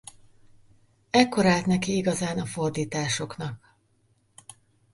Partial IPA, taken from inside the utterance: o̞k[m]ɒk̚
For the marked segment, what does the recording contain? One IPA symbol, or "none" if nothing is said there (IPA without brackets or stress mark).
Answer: n